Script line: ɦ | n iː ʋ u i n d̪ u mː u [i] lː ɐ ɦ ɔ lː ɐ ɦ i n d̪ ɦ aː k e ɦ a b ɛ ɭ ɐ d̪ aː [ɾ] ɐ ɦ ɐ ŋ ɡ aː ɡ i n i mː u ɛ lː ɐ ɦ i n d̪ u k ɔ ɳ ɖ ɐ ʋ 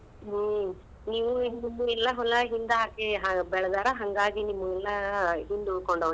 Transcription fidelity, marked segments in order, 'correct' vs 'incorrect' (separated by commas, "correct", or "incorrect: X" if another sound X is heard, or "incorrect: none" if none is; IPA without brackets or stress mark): incorrect: ɛ, correct